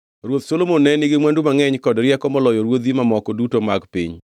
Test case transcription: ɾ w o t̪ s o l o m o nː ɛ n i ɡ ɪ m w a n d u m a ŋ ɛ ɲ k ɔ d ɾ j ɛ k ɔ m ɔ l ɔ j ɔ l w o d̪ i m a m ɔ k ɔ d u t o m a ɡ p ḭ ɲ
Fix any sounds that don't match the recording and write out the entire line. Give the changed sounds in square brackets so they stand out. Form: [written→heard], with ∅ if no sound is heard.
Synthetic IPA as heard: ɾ w o t̪ s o l o m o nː ɛ n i ɡ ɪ m w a n d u m a ŋ ɛ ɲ k ɔ d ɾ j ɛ k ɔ m ɔ l ɔ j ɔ [l→ɾ] w o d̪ i m a m ɔ k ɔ d u t o m a ɡ p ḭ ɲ